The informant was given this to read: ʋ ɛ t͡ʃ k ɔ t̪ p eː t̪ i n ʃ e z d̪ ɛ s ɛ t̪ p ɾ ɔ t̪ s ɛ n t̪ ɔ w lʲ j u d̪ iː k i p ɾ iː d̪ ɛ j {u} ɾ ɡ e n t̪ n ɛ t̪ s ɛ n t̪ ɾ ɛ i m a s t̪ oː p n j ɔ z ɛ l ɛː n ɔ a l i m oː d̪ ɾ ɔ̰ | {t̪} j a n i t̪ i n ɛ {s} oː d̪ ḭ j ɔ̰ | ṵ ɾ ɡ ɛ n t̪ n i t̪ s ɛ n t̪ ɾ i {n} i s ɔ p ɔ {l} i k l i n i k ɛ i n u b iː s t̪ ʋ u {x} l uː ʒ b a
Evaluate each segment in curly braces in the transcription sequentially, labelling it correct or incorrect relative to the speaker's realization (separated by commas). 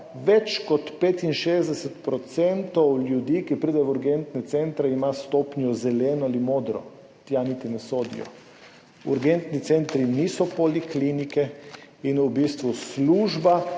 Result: correct, correct, correct, correct, correct, incorrect